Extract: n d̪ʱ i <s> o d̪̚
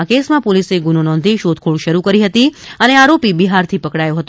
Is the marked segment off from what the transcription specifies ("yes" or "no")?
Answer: yes